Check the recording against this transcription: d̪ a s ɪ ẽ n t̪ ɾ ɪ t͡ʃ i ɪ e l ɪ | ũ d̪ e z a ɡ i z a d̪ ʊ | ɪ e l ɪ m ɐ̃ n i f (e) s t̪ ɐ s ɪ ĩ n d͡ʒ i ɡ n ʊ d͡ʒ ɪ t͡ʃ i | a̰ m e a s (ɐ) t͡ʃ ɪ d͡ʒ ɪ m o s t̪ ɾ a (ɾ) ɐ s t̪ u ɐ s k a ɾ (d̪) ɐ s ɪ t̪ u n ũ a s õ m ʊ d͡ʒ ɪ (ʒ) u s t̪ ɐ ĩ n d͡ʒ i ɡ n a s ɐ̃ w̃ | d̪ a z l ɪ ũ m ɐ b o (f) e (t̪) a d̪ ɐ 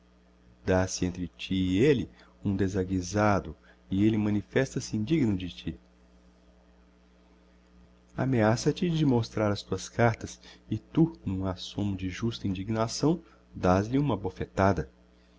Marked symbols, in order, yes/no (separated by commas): no, yes, yes, no, yes, yes, yes